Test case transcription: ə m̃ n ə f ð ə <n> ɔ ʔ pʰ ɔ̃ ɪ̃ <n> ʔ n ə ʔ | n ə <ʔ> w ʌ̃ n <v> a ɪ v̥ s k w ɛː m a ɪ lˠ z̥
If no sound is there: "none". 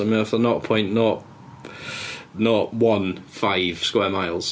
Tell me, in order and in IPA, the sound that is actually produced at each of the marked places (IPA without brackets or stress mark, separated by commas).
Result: n, n, ʔ, f